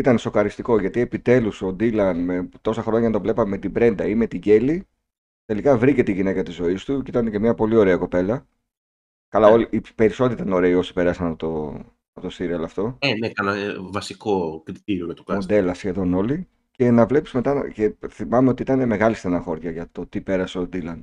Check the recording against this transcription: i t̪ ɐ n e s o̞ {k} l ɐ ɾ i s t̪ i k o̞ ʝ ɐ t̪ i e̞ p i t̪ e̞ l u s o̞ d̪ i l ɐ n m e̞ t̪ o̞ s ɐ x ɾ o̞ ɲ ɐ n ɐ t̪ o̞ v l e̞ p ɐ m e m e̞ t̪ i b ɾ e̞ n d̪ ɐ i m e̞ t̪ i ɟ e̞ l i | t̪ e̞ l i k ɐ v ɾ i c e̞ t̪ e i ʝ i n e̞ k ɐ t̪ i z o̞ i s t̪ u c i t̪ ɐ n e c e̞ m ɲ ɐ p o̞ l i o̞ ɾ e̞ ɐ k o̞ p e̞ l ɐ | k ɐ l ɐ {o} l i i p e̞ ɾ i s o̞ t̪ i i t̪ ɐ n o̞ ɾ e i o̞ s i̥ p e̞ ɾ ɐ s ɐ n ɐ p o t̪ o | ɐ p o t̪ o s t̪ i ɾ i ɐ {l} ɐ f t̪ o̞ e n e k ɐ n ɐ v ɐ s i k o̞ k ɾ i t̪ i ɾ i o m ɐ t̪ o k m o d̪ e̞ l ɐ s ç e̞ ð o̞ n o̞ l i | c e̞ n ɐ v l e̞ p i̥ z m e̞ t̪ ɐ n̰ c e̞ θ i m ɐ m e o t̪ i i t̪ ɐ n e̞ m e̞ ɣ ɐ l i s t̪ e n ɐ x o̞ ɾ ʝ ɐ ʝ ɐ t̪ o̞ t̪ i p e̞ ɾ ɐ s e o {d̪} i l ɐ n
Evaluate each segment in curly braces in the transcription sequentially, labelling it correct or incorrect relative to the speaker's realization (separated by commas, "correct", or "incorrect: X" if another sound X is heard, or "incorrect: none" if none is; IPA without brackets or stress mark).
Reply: correct, correct, correct, correct